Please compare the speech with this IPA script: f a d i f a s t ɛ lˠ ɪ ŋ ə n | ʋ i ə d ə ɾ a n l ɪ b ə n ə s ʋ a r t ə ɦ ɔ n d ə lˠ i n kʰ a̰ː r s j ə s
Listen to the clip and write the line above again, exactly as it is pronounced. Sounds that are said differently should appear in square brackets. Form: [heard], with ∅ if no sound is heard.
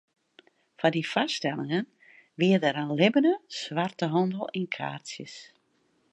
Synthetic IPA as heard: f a d i f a s t ɛ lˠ ɪ ŋ ə n | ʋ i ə d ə ɾ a n l ɪ b ə n ə s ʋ a r t ə ɦ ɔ n d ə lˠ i n kʰ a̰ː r s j ə s